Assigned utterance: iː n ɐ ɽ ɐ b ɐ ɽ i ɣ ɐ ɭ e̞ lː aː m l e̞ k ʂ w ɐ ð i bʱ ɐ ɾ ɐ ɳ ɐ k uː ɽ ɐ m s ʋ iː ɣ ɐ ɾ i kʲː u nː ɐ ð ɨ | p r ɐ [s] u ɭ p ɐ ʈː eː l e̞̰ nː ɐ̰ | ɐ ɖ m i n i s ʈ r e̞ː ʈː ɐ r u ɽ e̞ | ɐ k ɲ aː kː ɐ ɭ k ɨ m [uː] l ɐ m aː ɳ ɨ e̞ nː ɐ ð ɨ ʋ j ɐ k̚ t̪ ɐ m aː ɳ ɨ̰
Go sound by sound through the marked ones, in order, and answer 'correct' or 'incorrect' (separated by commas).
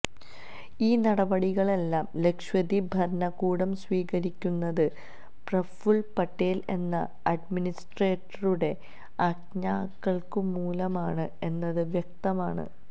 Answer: incorrect, correct